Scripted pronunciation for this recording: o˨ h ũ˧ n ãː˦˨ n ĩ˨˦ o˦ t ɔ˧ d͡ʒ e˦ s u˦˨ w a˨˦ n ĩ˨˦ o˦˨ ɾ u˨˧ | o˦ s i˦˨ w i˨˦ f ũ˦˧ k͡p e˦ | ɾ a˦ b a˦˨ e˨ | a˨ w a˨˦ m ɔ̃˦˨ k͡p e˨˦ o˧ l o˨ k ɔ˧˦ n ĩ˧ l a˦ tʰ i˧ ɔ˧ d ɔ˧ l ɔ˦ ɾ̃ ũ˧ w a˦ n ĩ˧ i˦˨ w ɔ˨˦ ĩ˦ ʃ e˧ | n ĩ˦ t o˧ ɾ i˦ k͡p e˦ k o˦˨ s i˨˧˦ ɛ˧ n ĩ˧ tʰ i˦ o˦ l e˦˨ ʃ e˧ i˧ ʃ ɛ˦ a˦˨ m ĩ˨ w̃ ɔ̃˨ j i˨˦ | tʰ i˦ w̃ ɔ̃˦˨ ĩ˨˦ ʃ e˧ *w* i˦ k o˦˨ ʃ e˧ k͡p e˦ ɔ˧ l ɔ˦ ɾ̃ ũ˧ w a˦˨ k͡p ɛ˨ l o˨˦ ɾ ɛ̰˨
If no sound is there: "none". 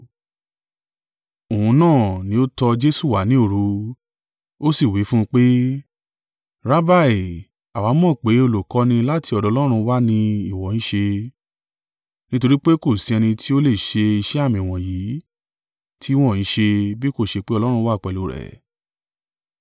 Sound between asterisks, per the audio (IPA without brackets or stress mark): b